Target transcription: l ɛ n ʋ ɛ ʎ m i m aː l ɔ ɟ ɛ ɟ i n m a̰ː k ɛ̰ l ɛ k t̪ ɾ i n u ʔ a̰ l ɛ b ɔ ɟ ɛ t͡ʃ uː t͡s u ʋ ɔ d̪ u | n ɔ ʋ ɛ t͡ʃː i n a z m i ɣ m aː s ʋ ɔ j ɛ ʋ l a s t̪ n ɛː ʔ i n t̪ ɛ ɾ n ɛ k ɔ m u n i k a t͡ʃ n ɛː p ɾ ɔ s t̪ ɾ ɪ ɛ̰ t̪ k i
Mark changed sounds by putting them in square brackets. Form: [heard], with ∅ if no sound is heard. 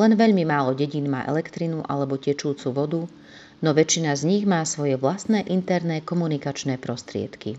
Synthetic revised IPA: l ɛ n ʋ ɛ ʎ m i m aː l ɔ ɟ ɛ ɟ i n m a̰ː [ʔ] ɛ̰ l ɛ k t̪ ɾ i n u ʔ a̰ l ɛ b ɔ [c] ɛ t͡ʃ uː t͡s u ʋ ɔ d̪ u | n ɔ ʋ ɛ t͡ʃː i n a z [ɲ] i ɣ m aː s ʋ ɔ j ɛ ʋ l a s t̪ n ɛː ʔ i n t̪ ɛ ɾ n ɛ k ɔ m u n i k a t͡ʃ n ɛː p ɾ ɔ s t̪ ɾ ɪ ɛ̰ t̪ k i